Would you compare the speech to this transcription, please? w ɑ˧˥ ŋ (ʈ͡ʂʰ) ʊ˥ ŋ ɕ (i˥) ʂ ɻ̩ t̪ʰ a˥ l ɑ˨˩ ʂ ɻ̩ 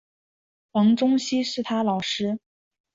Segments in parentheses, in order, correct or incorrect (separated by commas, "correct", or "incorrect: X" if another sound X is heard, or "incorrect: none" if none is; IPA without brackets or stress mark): incorrect: ʈ͡ʂ, correct